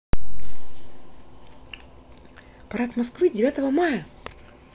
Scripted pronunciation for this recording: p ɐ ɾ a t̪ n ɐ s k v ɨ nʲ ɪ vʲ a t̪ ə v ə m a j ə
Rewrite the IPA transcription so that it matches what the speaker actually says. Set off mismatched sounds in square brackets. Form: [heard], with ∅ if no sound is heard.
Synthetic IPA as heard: p ɐ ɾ a t̪ [m] ɐ s k v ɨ [dʲ] ɪ vʲ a t̪ ə v ə m a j ə